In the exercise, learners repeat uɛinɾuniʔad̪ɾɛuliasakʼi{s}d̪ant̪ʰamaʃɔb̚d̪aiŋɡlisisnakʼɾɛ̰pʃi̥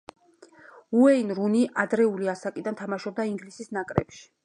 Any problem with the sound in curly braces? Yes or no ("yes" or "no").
yes